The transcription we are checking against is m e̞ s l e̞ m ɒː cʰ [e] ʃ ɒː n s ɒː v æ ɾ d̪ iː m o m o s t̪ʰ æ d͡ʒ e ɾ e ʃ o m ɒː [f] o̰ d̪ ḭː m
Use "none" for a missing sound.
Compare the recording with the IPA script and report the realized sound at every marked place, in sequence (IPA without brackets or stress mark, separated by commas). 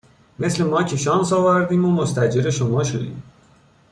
e, ʃ